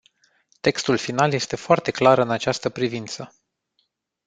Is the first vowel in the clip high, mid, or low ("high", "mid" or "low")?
mid